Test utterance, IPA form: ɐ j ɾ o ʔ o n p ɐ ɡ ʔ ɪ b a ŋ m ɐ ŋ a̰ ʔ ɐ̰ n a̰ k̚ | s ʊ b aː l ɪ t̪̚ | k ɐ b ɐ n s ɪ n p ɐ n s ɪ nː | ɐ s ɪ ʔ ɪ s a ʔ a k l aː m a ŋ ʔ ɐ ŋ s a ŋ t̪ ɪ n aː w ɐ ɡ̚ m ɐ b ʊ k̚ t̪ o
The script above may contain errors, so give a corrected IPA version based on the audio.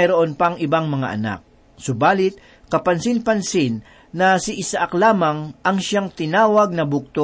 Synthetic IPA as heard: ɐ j ɾ o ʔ o n p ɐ ŋ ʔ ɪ b a ŋ m ɐ ŋ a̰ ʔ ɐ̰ n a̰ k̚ | s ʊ b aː l ɪ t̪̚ | k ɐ p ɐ n s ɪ n p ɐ n s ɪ nː | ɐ s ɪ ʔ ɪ s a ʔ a k l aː m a ŋ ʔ ɐ ŋ ʃ a ŋ t̪ ɪ n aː w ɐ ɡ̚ n ɐ b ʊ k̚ t̪ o